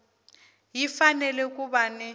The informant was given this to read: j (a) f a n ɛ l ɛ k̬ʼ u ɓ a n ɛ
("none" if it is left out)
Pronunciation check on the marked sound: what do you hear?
i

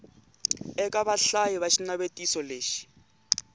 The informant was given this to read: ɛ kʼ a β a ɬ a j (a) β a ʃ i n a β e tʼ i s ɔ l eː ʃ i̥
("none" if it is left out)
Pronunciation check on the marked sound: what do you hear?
i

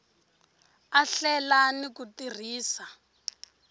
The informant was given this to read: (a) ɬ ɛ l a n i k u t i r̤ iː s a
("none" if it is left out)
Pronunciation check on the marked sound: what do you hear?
a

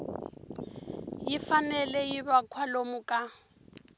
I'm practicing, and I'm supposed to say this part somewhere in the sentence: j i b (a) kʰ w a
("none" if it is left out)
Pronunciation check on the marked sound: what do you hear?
a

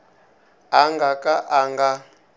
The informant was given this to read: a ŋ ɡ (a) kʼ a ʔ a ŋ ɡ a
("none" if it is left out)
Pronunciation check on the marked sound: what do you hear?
a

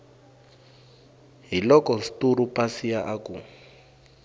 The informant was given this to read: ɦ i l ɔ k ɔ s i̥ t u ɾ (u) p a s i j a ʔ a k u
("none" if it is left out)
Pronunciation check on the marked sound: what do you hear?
u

